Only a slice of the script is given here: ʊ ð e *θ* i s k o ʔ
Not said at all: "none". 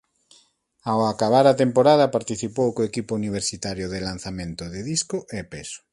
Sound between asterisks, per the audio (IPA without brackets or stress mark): ð